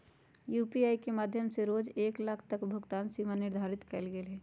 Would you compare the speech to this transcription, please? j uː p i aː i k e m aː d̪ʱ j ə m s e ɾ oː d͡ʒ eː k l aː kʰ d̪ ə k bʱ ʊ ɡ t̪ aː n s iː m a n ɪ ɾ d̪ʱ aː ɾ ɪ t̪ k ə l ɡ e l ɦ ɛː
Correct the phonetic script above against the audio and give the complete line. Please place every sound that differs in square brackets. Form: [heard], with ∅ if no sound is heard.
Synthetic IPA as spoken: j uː p i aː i k e m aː d̪ʱ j ə m s e ɾ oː d͡ʒ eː k l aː kʰ [t̪] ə k bʱ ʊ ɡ t̪ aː n s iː m a n ɪ ɾ d̪ʱ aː ɾ ɪ t̪ k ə l ɡ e l ɦ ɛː